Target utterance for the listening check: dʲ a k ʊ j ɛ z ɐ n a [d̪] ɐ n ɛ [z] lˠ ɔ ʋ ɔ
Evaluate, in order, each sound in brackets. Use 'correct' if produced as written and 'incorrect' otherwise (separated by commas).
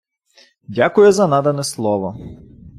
correct, incorrect